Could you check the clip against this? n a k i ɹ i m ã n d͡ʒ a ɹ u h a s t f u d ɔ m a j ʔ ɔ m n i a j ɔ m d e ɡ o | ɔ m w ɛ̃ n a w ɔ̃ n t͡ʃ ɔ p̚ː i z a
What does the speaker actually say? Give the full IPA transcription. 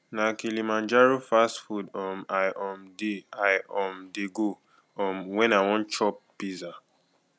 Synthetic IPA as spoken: n a k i l i m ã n d͡ʒ a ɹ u f a s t f u d ɔ m a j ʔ ɔ m d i a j ɔ m d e ɡ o | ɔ m w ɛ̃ n a w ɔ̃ n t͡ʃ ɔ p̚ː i z a

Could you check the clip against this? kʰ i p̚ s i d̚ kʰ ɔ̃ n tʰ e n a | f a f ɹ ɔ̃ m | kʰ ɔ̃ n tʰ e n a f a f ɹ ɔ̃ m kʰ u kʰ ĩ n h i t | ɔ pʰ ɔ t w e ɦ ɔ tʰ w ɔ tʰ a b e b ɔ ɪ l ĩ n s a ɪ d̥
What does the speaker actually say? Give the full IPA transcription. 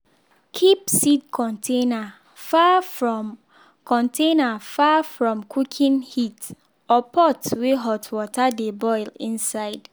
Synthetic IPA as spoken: kʰ i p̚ s i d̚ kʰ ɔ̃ n tʰ e n a | f a f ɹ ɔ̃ m | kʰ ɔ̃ n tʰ e n a f a f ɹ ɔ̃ m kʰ u kʰ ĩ n h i t | ɔ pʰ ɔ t w e ɦ ɔ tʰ w ɔ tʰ a d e b ɔ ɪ l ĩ n s a ɪ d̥

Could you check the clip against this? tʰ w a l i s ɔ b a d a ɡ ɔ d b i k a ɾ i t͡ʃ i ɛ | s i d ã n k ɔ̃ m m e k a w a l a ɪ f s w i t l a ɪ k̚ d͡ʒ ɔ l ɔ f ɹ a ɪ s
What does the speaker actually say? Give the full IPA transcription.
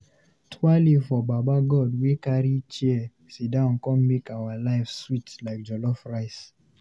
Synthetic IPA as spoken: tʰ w a l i f ɔ b a b a ɡ ɔ d w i k a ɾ i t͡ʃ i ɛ | s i d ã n k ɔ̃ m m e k a w a l a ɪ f s w i t l a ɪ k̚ d͡ʒ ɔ l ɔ f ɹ a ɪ s

